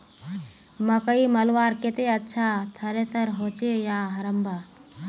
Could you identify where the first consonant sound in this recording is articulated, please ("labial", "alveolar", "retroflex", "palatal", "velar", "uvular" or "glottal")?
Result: labial